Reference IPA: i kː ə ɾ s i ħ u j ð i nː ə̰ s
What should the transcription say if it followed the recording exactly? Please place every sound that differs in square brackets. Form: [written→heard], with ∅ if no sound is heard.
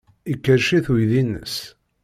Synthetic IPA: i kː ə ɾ [s→ʃ] i [ħ→θ] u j ð i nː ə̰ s